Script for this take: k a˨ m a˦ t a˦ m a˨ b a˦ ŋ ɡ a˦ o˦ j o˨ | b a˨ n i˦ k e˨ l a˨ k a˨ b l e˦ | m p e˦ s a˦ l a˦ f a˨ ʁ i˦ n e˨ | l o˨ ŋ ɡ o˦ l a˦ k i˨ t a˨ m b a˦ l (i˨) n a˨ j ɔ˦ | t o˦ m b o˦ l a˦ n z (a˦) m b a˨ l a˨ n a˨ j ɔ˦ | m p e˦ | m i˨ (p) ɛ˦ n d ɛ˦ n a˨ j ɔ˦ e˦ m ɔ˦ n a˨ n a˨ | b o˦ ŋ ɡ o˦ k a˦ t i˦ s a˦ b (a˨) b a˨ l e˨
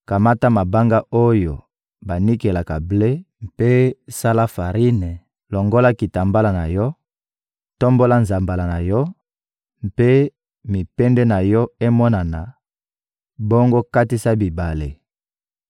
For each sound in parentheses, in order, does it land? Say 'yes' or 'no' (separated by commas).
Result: no, no, yes, no